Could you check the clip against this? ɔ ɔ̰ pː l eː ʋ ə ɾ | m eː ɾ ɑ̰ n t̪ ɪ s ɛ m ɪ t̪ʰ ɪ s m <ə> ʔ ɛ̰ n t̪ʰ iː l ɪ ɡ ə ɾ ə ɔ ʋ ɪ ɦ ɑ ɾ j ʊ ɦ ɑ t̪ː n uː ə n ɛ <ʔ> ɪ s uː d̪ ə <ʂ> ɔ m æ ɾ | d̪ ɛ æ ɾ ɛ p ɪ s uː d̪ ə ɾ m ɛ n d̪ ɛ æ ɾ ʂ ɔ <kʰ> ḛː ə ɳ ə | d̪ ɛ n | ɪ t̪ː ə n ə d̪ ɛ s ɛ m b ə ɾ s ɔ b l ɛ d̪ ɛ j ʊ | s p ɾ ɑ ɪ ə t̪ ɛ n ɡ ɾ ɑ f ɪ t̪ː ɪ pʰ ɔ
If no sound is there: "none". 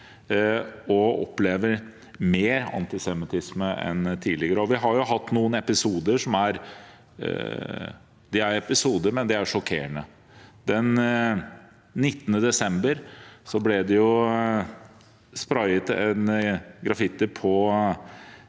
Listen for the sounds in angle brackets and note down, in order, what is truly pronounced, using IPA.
ə, p, ʂ, kʰ

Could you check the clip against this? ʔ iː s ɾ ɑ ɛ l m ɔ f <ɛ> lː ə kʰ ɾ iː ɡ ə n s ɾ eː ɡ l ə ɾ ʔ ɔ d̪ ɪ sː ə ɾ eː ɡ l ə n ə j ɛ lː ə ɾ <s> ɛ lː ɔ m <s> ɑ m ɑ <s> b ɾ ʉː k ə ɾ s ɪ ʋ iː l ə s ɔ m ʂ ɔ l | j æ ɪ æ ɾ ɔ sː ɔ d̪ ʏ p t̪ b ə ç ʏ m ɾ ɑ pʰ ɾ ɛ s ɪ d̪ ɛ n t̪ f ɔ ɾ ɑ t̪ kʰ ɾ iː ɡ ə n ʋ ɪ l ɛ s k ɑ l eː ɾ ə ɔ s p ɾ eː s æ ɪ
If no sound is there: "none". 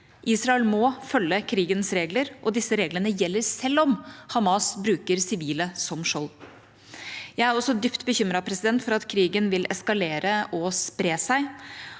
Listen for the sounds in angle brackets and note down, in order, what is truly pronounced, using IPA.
œ, s, h, s

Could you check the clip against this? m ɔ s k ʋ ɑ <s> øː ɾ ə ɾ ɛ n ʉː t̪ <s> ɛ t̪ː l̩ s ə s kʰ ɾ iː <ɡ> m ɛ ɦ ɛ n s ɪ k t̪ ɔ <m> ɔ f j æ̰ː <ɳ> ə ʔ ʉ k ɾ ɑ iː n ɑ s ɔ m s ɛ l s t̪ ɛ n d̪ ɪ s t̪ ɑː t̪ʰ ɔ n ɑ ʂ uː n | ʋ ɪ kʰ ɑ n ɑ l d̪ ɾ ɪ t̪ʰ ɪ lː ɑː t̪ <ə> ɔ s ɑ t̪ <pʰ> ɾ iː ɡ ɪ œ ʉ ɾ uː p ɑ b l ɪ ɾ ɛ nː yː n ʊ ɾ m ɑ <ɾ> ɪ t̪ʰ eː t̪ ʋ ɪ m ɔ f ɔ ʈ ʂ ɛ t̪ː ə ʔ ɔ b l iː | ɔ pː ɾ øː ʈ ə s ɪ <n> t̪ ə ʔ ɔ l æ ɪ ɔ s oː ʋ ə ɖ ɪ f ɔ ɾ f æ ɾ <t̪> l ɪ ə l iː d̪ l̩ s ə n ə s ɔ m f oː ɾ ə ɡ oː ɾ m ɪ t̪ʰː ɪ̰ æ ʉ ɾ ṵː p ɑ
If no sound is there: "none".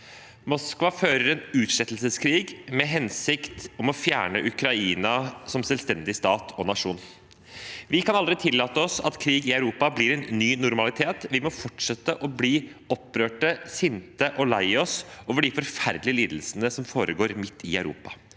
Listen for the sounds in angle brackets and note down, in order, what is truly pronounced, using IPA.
f, ʂ, ɡ, m, ɳ, ə, kʰ, l, n, d̪

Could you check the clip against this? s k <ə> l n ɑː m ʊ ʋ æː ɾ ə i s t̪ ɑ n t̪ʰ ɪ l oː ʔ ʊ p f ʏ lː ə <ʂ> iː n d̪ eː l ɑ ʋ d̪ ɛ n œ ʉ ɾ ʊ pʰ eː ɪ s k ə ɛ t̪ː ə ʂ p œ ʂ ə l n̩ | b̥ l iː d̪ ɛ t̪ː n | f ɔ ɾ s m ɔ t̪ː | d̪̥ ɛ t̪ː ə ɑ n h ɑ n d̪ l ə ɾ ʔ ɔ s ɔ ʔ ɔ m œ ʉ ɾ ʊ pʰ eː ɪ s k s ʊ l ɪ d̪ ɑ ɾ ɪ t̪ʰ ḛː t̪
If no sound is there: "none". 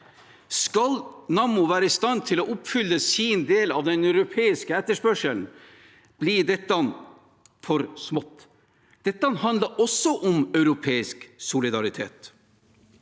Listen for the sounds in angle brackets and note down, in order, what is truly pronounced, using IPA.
ɑ, s

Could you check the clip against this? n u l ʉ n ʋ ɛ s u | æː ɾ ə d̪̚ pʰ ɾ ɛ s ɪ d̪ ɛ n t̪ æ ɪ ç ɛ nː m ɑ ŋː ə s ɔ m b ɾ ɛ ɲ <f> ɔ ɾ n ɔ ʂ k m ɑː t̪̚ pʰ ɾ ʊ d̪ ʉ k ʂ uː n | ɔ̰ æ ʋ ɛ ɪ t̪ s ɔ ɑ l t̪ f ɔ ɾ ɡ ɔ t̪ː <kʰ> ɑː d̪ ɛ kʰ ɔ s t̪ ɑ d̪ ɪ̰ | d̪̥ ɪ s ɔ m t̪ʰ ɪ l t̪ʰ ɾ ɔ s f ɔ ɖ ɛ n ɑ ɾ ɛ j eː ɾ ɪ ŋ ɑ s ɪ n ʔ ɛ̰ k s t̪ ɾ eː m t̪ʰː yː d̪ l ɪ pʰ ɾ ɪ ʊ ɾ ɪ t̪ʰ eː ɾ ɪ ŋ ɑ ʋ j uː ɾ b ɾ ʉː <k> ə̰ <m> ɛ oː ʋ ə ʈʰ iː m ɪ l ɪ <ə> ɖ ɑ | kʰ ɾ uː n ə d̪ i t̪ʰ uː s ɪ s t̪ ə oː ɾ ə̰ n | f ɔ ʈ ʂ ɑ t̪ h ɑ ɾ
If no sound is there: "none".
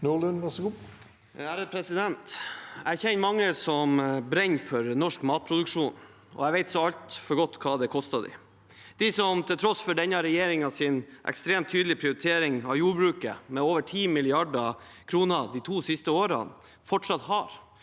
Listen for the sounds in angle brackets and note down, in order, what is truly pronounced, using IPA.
f, kʰ, k, m, ɑ

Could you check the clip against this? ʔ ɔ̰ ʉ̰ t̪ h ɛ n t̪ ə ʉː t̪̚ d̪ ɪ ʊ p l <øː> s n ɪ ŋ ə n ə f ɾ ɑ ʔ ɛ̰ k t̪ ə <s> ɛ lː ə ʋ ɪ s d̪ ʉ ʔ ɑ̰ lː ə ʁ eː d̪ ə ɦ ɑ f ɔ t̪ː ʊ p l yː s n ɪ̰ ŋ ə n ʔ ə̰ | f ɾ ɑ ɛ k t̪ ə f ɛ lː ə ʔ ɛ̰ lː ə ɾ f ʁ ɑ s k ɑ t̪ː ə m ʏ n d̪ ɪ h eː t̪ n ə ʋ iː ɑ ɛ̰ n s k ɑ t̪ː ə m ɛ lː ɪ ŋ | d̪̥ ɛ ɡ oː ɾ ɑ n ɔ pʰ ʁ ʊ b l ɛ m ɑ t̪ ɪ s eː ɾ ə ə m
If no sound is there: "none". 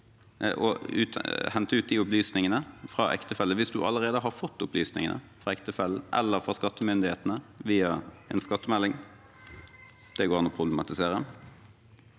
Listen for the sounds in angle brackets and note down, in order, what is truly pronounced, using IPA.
yː, f

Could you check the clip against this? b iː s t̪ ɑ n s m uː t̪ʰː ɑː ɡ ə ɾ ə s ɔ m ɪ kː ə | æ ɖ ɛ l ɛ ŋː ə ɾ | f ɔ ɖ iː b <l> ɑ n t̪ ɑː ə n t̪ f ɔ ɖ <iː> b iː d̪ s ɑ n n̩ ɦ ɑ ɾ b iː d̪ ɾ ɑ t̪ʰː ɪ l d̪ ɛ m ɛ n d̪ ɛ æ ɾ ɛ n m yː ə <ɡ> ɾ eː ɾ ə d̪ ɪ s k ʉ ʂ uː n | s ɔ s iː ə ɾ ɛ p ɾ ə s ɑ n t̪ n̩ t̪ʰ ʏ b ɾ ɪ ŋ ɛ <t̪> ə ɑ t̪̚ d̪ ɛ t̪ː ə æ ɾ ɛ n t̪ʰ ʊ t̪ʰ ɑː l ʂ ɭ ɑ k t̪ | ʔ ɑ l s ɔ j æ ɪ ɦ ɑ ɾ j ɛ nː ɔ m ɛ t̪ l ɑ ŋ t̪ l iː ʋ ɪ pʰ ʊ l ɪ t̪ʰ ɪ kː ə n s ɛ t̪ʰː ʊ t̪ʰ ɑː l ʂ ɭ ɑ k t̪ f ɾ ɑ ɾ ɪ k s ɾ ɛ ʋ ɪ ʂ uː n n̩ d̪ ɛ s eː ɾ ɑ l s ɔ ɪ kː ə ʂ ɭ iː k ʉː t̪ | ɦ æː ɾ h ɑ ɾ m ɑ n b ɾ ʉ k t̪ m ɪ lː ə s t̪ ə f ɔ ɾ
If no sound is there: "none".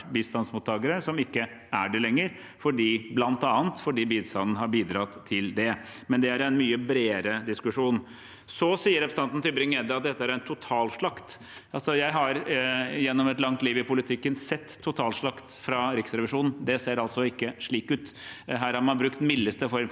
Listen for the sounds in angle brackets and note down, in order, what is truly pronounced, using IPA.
l, iː, b, d̪

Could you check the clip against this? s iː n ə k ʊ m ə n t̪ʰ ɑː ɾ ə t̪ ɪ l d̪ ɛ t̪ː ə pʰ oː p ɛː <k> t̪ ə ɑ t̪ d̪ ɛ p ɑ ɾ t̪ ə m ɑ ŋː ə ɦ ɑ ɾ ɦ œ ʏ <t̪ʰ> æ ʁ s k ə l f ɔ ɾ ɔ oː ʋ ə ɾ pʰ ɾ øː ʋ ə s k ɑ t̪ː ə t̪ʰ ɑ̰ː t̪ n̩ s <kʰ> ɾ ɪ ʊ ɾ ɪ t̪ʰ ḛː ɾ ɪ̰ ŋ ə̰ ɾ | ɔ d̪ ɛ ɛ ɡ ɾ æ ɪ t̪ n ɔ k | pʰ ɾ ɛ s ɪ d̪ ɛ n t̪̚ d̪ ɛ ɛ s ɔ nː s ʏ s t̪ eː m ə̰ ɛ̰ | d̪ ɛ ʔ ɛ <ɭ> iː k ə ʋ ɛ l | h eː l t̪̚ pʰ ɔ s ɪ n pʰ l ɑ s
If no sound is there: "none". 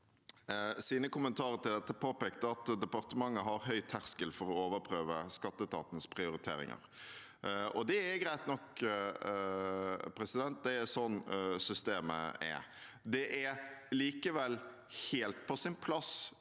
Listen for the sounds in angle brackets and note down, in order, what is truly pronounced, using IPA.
k, t̪ʰ, pʰ, l

